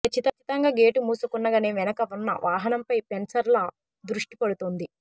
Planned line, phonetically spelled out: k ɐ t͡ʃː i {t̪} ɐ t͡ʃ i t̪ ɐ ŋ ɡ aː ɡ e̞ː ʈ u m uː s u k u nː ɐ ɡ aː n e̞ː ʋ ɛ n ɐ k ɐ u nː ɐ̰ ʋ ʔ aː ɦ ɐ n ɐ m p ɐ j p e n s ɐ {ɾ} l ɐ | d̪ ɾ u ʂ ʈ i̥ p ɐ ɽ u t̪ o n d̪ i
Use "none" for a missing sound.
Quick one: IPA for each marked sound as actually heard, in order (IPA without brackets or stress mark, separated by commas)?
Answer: t̪, ɾ